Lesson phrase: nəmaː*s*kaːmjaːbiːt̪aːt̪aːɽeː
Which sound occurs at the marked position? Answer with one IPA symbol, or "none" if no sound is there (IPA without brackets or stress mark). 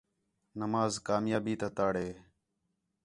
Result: z